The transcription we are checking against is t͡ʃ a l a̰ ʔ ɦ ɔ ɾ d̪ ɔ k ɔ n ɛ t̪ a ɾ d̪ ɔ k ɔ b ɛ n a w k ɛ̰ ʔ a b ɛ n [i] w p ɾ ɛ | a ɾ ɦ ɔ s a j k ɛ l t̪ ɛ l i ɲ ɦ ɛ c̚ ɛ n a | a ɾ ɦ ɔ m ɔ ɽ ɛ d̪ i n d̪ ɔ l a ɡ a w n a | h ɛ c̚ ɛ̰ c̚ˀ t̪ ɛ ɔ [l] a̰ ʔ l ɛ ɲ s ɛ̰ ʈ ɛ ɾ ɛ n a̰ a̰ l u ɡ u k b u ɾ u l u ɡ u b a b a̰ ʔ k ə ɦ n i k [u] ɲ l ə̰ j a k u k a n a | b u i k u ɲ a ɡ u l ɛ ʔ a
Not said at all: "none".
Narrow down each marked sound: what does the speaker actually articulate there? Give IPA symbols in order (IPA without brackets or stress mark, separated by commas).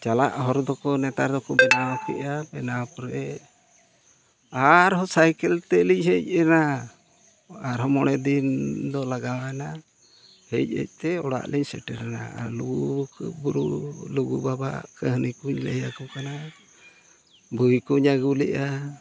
a, ɽ, u